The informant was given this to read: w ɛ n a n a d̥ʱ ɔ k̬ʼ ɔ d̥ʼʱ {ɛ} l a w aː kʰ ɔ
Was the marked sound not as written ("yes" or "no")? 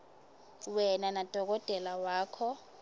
no